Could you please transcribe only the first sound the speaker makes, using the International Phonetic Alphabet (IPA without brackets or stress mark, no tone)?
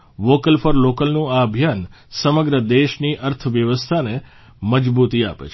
ʋ